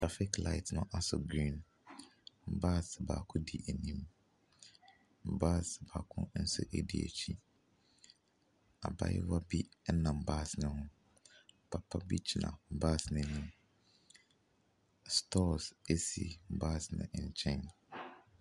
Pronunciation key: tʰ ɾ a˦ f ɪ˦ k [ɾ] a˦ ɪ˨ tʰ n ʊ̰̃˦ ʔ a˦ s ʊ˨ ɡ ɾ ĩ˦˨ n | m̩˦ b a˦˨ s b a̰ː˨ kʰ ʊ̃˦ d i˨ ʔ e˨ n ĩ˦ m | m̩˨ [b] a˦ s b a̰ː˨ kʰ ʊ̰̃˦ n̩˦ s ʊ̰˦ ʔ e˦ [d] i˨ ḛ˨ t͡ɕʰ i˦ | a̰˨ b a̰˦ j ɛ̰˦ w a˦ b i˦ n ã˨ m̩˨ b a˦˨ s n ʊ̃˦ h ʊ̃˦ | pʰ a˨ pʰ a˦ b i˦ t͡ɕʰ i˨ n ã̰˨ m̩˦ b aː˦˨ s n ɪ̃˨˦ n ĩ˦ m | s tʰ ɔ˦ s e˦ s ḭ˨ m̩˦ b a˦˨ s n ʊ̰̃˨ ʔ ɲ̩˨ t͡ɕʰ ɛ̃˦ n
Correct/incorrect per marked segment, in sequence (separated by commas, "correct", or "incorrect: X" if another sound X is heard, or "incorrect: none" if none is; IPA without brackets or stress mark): incorrect: l, correct, correct